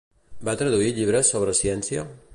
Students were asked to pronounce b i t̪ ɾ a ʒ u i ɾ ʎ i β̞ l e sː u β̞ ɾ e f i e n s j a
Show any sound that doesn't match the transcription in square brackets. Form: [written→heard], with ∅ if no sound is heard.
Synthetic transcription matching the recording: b [i→a] t̪ ɾ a [ʒ→ð] u i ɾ ʎ i β̞ [l→ɾ] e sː [u→o] β̞ ɾ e [f→s] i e n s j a